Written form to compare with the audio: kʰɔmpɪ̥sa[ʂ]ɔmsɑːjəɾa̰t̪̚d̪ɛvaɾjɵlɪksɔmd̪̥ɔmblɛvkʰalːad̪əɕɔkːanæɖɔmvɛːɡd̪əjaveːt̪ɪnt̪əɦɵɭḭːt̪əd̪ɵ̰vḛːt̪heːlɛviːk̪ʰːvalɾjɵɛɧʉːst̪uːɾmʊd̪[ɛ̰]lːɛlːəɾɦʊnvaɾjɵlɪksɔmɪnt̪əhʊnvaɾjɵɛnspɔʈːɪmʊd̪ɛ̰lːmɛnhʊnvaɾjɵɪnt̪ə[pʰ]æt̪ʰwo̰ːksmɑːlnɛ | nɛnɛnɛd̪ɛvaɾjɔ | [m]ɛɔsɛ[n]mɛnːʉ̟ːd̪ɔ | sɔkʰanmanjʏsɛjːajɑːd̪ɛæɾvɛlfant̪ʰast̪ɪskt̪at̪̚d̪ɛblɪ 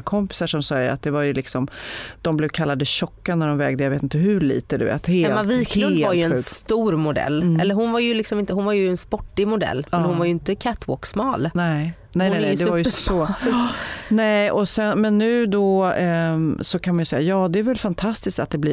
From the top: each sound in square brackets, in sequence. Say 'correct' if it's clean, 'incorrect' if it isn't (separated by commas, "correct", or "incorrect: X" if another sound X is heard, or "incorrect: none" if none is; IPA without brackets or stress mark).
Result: correct, correct, incorrect: kʰ, incorrect: n, correct